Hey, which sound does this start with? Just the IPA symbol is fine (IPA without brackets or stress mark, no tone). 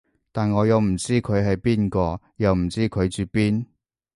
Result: t̪